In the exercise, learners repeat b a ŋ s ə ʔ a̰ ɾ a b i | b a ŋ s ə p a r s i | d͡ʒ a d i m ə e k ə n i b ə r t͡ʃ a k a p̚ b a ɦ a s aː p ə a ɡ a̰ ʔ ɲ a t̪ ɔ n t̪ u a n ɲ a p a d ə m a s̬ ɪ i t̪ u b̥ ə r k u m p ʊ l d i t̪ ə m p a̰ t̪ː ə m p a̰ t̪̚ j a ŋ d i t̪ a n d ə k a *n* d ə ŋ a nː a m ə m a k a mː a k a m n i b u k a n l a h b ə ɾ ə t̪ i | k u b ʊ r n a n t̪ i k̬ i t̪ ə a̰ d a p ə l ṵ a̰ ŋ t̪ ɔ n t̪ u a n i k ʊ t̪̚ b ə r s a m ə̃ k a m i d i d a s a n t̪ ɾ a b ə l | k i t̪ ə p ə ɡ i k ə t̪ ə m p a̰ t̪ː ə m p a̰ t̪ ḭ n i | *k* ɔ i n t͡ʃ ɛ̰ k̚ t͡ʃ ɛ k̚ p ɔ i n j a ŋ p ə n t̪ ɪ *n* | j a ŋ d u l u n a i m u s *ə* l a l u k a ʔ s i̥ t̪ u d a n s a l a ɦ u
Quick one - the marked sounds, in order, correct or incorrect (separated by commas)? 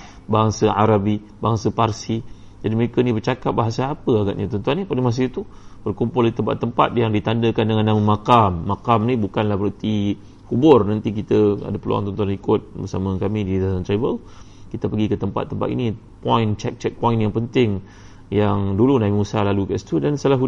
correct, incorrect, incorrect, incorrect